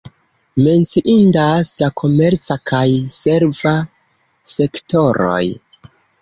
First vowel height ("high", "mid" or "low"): mid